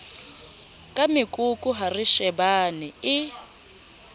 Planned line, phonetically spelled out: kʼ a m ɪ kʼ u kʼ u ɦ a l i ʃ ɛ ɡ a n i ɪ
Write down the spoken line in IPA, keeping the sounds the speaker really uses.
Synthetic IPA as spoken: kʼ a m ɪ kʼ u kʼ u ɦ a r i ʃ ɛ b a n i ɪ